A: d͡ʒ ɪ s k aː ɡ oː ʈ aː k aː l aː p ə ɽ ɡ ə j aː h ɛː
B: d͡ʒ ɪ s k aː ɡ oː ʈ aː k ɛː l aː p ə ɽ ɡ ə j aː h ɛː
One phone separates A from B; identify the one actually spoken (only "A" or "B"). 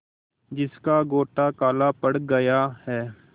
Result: A